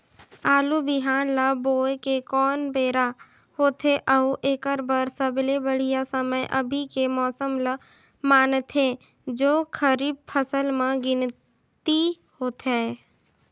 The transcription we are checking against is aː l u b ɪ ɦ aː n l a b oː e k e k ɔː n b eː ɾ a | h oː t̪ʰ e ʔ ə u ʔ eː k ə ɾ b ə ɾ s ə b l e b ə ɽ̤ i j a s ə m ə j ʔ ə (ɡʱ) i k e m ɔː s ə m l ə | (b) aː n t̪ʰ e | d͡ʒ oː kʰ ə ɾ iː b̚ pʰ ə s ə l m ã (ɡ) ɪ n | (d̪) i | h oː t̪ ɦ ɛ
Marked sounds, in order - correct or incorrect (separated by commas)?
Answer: incorrect, incorrect, correct, incorrect